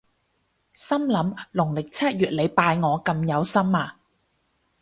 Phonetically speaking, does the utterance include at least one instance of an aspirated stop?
yes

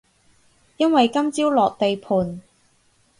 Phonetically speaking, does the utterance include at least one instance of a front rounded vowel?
no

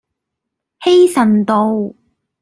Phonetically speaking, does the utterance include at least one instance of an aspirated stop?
no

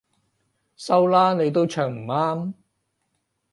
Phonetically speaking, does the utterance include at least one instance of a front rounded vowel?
yes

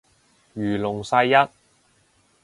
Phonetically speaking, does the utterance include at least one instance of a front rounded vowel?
yes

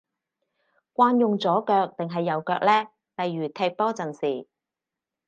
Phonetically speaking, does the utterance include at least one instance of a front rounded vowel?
yes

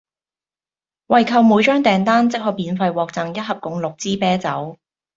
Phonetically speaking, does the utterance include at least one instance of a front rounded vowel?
yes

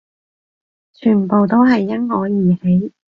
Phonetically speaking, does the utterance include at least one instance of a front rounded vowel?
yes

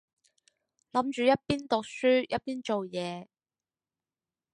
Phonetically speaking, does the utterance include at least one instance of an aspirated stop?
no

